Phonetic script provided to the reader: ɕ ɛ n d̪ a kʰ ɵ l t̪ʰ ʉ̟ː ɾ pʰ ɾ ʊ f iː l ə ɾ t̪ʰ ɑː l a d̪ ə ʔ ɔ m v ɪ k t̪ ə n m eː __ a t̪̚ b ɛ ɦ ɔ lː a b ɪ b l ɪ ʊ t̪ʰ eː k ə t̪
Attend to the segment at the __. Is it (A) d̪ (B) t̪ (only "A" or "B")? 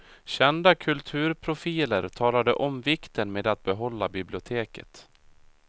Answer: A